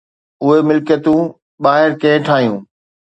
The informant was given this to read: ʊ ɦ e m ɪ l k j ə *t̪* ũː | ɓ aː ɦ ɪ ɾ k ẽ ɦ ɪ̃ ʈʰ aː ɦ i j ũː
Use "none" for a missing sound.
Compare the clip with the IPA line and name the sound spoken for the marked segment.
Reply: t̪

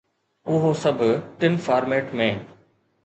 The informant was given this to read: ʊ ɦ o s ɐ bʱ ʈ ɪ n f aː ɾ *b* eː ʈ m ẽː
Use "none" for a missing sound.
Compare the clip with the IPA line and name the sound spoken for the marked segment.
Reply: m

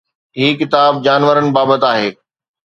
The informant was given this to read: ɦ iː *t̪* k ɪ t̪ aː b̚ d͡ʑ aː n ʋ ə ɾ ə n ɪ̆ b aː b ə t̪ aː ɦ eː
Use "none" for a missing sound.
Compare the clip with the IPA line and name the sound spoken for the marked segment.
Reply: none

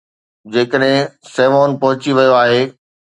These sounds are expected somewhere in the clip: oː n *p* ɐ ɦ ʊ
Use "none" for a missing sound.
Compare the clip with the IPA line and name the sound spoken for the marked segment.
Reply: p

